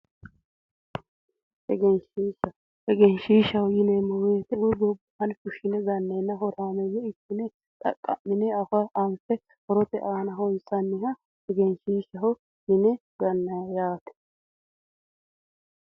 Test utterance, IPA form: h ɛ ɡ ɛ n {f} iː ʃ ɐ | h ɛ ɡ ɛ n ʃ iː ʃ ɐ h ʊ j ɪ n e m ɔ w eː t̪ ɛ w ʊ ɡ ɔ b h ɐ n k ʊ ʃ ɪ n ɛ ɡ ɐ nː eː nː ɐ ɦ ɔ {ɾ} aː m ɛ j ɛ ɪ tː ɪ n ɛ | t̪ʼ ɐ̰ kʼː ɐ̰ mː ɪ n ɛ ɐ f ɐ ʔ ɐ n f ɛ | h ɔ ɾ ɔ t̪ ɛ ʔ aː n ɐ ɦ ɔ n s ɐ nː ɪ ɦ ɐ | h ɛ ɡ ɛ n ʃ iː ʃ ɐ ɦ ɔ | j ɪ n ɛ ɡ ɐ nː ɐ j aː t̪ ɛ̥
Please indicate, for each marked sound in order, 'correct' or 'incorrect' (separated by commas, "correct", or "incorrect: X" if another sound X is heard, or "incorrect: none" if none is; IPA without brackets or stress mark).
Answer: incorrect: ʃ, correct